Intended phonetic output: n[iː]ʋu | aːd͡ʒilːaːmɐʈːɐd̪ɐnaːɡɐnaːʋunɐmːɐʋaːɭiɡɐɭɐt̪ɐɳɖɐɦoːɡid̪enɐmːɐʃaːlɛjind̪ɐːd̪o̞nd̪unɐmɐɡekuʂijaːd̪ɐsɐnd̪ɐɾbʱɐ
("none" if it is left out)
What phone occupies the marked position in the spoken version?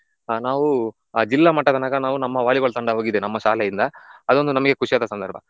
aː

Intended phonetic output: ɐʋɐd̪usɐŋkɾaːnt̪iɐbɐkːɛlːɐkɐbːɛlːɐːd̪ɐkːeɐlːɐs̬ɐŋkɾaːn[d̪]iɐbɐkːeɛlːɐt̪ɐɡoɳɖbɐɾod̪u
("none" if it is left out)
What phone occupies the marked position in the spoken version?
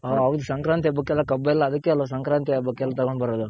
t̪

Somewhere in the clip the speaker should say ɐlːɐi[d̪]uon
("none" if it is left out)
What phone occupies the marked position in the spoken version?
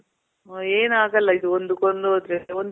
d̪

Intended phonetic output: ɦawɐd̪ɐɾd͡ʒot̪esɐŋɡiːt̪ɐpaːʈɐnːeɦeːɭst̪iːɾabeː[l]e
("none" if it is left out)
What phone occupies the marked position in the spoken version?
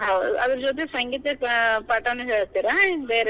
ɾ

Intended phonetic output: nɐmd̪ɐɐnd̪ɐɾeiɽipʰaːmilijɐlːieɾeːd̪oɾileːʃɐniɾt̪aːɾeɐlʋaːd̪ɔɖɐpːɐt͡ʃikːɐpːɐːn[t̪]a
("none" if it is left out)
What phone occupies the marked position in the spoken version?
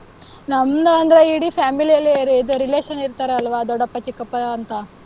t̪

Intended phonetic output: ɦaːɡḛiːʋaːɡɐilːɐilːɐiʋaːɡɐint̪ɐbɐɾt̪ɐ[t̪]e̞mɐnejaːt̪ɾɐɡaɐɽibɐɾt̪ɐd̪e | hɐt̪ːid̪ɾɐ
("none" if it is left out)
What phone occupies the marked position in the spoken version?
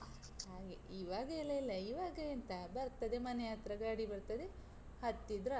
d̪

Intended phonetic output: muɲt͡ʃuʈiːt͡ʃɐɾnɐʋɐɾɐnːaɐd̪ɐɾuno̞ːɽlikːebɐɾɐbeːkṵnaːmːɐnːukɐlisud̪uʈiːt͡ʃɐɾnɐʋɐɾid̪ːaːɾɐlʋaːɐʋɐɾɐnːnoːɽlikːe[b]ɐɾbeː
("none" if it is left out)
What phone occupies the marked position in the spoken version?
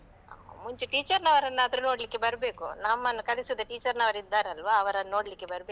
b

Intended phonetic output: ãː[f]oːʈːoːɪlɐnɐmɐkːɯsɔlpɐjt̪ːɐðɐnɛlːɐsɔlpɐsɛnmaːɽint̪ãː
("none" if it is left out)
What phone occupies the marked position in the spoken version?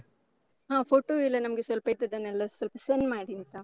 f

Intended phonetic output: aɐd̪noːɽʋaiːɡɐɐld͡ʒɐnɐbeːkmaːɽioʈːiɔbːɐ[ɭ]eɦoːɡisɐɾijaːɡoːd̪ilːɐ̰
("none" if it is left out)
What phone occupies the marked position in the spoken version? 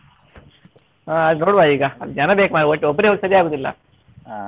ɾ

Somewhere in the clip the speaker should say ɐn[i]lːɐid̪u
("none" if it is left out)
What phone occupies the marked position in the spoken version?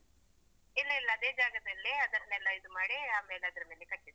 ɛ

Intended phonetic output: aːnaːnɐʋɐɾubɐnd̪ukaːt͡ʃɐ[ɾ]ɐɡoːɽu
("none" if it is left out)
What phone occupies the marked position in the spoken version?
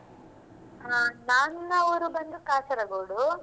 ɾ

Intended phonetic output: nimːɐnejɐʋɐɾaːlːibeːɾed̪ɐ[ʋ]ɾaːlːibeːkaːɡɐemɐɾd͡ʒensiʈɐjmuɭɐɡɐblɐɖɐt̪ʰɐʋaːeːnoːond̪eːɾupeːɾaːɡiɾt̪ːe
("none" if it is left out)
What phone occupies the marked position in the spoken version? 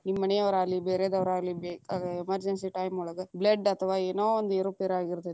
ʋ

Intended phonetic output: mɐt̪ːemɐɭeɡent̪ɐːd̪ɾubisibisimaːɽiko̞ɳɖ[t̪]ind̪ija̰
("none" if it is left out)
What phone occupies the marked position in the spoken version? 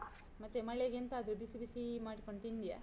t̪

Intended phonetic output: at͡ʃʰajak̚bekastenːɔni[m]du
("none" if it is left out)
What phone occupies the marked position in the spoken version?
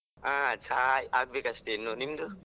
m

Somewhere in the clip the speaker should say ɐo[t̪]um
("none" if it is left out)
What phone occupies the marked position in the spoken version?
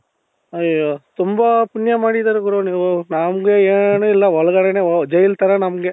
t̪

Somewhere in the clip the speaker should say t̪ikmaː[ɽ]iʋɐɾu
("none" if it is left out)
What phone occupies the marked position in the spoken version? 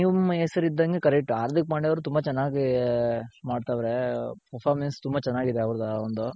ɽ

